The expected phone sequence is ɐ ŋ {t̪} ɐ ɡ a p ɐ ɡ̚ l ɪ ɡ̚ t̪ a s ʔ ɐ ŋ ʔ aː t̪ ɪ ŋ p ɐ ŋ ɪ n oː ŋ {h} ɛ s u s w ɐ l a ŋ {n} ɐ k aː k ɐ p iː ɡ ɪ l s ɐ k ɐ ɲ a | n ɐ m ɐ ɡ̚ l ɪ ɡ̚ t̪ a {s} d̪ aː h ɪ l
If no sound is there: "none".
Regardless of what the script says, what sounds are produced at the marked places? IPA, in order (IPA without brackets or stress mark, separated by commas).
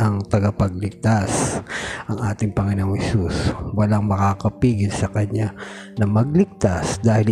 t̪, h, m, s